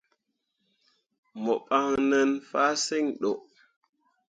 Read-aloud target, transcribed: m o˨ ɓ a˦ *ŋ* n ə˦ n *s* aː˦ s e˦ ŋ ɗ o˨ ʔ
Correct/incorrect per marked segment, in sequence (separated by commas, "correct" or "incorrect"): correct, incorrect